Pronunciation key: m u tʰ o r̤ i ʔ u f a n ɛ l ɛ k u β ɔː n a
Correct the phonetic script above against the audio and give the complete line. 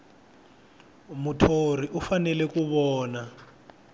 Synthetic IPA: m u tʰ o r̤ i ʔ u f a n ɛ l ɛ k u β ɔː n a